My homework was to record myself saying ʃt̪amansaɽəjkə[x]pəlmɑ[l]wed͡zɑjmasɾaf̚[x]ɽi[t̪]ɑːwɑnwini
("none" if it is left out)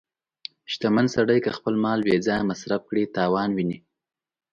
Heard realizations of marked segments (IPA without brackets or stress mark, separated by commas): x, l, k, t̪